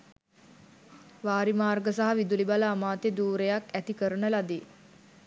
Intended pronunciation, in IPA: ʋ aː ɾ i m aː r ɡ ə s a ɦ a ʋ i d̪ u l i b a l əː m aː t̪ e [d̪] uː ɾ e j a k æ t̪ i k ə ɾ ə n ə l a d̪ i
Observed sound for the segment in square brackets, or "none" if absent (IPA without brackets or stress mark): d̪